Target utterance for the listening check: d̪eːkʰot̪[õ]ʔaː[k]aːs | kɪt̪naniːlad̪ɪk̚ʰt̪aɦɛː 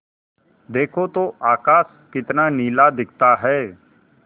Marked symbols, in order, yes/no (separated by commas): no, yes